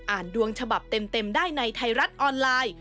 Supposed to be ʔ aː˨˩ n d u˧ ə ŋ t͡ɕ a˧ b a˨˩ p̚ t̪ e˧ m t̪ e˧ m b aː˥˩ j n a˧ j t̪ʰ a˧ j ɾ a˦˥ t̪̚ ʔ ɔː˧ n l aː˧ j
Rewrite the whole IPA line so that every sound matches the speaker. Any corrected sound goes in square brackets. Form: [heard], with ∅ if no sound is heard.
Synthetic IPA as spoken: ʔ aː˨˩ n d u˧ ə ŋ [t͡ɕʰ] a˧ b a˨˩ p̚ t̪ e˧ m t̪ e˧ m [d] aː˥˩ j n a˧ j t̪ʰ a˧ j ɾ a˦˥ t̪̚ ʔ ɔː˧ n l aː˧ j

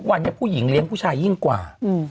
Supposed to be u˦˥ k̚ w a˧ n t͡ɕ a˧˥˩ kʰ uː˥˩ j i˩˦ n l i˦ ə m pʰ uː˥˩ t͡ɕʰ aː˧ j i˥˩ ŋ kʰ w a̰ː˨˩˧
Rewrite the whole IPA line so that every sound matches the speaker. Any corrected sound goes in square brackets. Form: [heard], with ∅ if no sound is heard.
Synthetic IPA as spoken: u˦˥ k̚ w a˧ n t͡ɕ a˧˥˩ [pʰ] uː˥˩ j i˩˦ [ŋ] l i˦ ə [ŋ] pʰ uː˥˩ t͡ɕʰ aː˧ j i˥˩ ŋ [k] w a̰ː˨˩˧

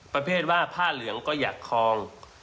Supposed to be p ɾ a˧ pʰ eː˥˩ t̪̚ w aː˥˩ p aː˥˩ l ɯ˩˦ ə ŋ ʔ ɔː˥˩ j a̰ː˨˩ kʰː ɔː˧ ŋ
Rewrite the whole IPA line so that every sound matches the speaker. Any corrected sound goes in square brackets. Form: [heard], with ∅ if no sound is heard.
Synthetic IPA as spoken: p ɾ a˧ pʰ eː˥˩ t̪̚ w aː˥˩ [pʰ] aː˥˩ l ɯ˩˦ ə ŋ [k] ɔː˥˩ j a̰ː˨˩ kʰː ɔː˧ ŋ

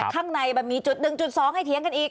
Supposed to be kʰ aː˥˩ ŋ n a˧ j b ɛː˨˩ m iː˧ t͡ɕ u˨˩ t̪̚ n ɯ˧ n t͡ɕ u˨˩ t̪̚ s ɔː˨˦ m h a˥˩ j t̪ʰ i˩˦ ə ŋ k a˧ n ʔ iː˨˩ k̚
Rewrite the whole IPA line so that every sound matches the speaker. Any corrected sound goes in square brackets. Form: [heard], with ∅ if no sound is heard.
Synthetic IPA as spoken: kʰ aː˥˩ ŋ n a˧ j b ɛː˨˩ m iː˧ t͡ɕ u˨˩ t̪̚ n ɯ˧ [ŋ] t͡ɕ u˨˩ t̪̚ s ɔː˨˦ [ŋ] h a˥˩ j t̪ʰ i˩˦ ə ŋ k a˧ n ʔ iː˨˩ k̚

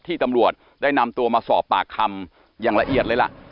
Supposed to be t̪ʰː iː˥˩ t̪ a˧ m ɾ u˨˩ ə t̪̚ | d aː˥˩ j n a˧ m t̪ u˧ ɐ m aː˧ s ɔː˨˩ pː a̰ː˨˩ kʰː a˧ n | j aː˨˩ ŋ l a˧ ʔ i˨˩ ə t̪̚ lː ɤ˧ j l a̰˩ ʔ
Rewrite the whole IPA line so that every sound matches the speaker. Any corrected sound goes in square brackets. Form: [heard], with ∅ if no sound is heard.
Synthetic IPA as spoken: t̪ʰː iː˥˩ t̪ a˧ m ɾ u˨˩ ə t̪̚ | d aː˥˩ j n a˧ m t̪ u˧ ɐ m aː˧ s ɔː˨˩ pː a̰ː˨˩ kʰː a˧ [m] | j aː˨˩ ŋ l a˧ ʔ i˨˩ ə t̪̚ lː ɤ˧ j l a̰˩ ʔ

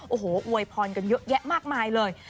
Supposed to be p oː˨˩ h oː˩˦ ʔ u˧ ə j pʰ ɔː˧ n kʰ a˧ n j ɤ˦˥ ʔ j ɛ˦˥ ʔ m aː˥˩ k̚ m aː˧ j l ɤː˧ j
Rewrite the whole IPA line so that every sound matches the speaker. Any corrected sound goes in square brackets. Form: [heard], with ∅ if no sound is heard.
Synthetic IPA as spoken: [ʔ] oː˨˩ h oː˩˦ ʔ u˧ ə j pʰ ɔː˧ n [k] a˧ n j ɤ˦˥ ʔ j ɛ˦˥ ʔ m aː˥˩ k̚ m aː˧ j l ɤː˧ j

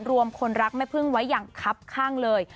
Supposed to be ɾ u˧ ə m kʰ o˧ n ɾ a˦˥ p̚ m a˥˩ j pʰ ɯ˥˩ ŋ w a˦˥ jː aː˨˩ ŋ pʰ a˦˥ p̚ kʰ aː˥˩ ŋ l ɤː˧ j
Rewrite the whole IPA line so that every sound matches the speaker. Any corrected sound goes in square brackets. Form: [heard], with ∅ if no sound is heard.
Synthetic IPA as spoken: ɾ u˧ ə m kʰ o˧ n ɾ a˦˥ [k̚] m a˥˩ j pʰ ɯ˥˩ ŋ w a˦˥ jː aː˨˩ ŋ [kʰ] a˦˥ p̚ kʰ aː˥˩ ŋ l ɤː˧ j

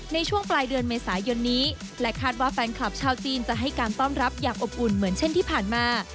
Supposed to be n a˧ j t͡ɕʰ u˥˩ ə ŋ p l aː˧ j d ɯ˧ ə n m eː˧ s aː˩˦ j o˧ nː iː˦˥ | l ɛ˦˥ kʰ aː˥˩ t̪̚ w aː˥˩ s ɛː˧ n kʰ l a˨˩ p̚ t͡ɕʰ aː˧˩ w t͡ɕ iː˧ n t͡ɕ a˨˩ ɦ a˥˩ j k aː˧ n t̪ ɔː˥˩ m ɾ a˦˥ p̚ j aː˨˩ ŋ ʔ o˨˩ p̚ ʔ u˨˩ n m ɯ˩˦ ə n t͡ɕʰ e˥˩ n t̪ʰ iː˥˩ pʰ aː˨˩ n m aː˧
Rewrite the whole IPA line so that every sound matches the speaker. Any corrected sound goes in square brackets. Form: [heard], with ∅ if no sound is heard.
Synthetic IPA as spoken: n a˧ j t͡ɕʰ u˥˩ ə ŋ p l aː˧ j d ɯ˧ ə n m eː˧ s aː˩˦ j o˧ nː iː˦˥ | l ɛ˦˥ kʰ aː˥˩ t̪̚ w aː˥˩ [f] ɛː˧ n kʰ l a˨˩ p̚ t͡ɕʰ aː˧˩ w t͡ɕ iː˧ n t͡ɕ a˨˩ ɦ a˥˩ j k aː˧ n t̪ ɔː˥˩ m ɾ a˦˥ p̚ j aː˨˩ ŋ ʔ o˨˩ p̚ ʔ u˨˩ n m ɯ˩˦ ə n t͡ɕʰ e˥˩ n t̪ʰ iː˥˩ pʰ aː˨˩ n m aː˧

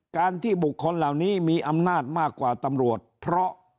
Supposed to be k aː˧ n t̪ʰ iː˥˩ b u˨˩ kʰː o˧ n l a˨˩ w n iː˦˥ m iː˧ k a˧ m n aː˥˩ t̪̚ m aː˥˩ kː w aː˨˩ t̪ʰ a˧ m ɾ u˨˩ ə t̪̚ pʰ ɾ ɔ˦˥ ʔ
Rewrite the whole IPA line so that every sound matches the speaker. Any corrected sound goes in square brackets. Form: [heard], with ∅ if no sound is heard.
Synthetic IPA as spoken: k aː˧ n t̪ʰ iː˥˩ b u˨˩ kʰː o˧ n l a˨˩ w n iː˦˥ m iː˧ [ʔ] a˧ m n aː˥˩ t̪̚ m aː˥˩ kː w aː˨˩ [t̪] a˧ m ɾ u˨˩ ə t̪̚ pʰ ɾ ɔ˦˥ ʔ

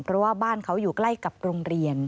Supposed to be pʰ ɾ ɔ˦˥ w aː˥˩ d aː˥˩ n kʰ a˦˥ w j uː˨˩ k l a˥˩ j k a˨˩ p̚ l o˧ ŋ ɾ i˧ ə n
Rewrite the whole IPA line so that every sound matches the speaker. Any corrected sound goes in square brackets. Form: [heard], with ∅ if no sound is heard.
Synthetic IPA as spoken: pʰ ɾ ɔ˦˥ w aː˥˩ [b] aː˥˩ n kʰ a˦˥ w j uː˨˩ k l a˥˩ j k a˨˩ p̚ [ɾ] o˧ ŋ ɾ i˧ ə n

